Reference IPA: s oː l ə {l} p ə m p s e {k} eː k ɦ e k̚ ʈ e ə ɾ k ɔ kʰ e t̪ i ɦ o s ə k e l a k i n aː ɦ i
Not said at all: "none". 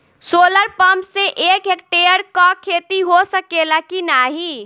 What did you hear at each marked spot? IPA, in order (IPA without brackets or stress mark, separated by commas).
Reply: ɾ, ʔ